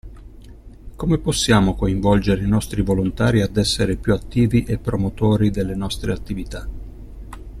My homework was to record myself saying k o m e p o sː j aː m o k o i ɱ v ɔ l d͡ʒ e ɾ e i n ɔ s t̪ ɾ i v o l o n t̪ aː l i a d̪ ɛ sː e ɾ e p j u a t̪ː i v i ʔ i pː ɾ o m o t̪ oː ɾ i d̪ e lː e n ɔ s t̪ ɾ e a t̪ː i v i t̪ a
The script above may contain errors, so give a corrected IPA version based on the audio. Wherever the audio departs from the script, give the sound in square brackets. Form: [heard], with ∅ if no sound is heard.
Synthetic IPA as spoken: k o m e p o sː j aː m o k o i ɱ v ɔ l d͡ʒ e ɾ e i n ɔ s t̪ ɾ i v o l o n t̪ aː [ɾ] i a d̪ ɛ sː e ɾ e p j u a t̪ː [iː] v i ʔ [e] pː ɾ o m o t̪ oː ɾ i d̪ e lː e n ɔ s t̪ ɾ e a t̪ː i v i t̪ a